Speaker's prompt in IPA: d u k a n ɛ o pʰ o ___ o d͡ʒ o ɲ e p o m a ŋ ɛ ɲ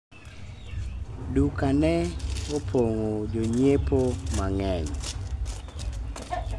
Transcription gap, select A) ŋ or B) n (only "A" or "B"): A